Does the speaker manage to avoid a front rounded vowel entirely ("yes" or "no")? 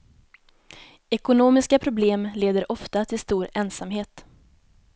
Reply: yes